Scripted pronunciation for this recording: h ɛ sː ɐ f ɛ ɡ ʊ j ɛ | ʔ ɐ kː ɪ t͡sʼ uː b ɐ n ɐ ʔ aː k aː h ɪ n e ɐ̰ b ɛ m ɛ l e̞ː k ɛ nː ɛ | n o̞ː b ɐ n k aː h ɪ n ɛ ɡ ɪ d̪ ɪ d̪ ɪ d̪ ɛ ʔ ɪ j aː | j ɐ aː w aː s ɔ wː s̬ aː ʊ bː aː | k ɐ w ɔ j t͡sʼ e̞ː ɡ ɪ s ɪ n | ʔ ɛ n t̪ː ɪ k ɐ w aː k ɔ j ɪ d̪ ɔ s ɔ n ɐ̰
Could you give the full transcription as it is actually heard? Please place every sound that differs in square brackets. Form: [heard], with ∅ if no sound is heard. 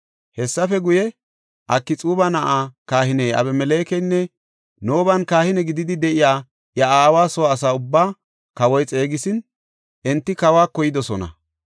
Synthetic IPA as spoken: h ɛ sː ɐ f ɛ ɡ ʊ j ɛ | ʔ ɐ kː ɪ t͡sʼ uː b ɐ n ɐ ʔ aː k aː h ɪ n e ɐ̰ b ɛ m ɛ l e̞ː k ɛ nː ɛ | n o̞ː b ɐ n k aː h ɪ n ɛ ɡ ɪ d̪ ɪ d̪ ɪ d̪ ɛ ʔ ɪ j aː | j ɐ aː w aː s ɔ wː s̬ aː ʊ bː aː | k ɐ w ɔ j t͡sʼ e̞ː ɡ ɪ s ɪ n | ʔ ɛ n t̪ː ɪ k ɐ w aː k ɔ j ɪ d̪ ɔ s ɔ n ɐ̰